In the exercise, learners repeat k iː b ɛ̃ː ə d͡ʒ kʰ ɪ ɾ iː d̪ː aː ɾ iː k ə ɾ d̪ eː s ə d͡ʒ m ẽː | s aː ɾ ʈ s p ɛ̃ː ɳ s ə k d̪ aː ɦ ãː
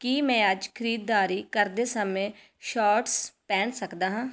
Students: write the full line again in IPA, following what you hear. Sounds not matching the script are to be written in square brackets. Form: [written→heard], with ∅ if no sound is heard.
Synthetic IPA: k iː [b→m] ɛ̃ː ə d͡ʒ kʰ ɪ ɾ iː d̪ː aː ɾ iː k ə ɾ d̪ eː s ə [d͡ʒ→∅] m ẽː | [s→ʃ] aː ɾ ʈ s p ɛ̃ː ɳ s ə k d̪ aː ɦ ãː